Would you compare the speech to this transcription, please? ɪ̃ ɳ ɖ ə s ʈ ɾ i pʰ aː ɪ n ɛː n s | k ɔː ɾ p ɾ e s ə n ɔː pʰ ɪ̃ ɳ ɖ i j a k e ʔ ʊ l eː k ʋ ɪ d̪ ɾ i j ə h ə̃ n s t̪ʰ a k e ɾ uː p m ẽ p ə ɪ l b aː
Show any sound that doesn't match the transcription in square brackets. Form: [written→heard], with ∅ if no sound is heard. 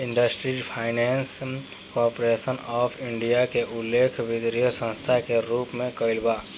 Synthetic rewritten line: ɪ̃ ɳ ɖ ə s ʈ ɾ i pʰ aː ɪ n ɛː n s | k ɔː ɾ p ɾ e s ə n ɔː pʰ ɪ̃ ɳ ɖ i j a k e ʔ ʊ l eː [k→kʰ] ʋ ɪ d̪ ɾ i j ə [h→s] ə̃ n s t̪ʰ a k e ɾ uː p m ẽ [p→k] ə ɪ l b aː